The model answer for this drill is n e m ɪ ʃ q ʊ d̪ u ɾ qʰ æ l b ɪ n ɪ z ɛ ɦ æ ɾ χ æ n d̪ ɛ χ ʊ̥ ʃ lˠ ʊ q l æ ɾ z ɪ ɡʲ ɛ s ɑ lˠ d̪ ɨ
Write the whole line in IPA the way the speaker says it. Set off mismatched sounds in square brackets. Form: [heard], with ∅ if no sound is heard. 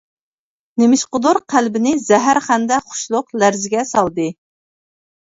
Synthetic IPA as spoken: n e m ɪ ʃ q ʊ d̪ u ɾ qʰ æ l b ɪ n ɪ z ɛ ɦ æ ɾ χ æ n d̪ ɛ χ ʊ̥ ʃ lˠ ʊ q l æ ɾ z ɪ ɡʲ ɛ s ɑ lˠ d̪ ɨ

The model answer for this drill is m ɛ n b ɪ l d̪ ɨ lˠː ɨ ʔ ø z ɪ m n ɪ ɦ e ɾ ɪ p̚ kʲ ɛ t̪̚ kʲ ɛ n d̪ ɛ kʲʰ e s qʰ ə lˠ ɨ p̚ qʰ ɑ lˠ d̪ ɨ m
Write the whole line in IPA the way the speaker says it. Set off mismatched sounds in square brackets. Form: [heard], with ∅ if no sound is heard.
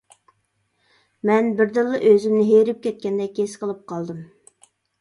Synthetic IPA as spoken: m ɛ n b ɪ [ɾ] d̪ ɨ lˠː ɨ ʔ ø z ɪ m n ɪ ɦ e ɾ ɪ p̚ kʲ ɛ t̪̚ kʲ ɛ n d̪ ɛ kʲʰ e s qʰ ə lˠ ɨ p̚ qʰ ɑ lˠ d̪ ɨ m

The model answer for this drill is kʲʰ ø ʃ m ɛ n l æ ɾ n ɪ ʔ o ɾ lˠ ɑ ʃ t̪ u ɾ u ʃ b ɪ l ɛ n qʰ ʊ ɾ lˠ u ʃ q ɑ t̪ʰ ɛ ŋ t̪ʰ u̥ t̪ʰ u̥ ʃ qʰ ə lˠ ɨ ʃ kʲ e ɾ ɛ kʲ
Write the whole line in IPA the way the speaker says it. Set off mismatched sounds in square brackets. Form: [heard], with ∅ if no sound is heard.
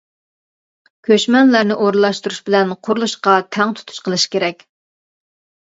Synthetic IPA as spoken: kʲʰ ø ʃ m ɛ n l æ ɾ n ɪ ʔ o ɾ lˠ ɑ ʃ t̪ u ɾ u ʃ b ɪ l ɛ n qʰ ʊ ɾ lˠ u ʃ q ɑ t̪ʰ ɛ ŋ t̪ʰ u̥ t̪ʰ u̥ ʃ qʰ ə lˠ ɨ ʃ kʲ e ɾ ɛ kʲ

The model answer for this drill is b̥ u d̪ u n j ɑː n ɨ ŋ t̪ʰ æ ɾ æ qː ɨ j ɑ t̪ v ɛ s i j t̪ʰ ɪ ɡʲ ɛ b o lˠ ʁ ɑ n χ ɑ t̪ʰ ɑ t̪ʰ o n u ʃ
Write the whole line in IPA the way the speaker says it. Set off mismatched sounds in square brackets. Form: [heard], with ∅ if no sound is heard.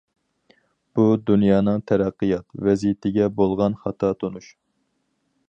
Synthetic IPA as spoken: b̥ u d̪ u n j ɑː n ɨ ŋ t̪ʰ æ ɾ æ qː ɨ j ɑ t̪ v ɛ [z] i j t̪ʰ ɪ ɡʲ ɛ b o lˠ ʁ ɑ n χ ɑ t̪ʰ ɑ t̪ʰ o n u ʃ

